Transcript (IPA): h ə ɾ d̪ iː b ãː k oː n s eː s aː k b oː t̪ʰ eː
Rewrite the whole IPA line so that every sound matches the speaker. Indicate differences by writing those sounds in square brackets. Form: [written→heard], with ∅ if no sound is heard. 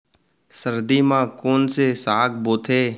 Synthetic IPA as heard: [h→s] ə ɾ d̪ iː [b→m] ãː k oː n s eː s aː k b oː t̪ʰ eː

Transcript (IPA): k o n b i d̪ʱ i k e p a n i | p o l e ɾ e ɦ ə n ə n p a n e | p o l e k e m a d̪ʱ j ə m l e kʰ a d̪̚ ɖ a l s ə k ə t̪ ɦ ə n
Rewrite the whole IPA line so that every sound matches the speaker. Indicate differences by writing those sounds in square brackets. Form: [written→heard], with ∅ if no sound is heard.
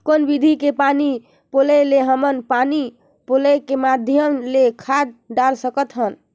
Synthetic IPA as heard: k o n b i d̪ʱ i k e p a n i | p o l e [ɾ→l] e ɦ ə [n→m] ə n p a n [e→i] | p o l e k e m a d̪ʱ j ə m l e kʰ a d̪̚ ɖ a l s ə k ə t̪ ɦ ə n

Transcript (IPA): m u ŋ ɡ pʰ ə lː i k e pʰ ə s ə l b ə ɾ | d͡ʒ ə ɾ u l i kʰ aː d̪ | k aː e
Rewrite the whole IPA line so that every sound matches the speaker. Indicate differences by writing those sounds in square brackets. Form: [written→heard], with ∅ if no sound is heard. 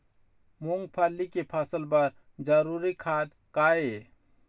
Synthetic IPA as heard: m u ŋ ɡ pʰ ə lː i k e pʰ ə s ə l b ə ɾ | d͡ʒ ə ɾ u [l→ɾ] i kʰ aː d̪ | k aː e

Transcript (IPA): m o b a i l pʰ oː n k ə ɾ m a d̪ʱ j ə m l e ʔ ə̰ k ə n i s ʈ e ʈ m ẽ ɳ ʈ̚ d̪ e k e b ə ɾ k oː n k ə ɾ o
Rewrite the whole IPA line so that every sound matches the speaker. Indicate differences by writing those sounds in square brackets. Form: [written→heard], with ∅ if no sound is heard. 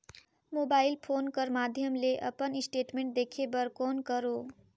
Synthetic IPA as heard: m o b a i l pʰ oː n k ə ɾ m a d̪ʱ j ə m l e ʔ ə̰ [k→p] ə n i s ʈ e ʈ m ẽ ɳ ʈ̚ d̪ e [k→kʰ] e b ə ɾ k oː n k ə ɾ o

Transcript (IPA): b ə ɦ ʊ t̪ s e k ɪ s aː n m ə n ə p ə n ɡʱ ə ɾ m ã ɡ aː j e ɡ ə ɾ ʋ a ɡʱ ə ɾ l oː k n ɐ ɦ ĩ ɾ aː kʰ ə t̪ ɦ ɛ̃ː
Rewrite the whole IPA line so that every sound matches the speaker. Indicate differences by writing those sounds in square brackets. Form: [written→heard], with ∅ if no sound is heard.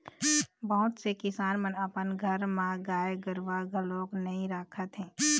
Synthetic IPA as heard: b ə ɦ ʊ t̪ s e k ɪ s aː n m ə n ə p ə n ɡʱ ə ɾ m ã ɡ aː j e ɡ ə ɾ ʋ a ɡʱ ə [ɾ→∅] l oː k n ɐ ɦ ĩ ɾ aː kʰ ə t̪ ɦ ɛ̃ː

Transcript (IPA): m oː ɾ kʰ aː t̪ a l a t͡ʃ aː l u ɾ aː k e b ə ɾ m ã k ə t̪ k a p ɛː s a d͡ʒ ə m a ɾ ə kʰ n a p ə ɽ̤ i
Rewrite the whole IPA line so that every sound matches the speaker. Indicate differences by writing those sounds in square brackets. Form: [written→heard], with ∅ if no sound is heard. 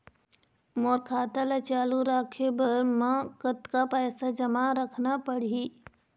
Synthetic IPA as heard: m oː ɾ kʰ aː t̪ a l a t͡ʃ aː l u ɾ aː [k→kʰ] e b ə ɾ m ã k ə t̪ k a p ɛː s a d͡ʒ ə m a ɾ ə kʰ n a p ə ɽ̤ i

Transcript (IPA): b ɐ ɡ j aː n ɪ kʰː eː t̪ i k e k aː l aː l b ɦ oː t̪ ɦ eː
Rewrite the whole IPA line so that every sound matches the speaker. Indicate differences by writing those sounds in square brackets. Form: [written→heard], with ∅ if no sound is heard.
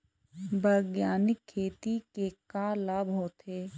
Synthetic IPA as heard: b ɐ ɡ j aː n ɪ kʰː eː t̪ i k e k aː l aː [l→∅] b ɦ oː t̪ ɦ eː

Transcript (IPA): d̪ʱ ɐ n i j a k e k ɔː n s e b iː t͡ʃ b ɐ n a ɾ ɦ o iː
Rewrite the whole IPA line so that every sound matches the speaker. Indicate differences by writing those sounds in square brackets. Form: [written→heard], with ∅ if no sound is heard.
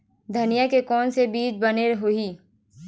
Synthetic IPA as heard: d̪ʱ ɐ n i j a k e k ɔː n s e b iː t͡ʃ b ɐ n [a→e] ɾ ɦ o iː

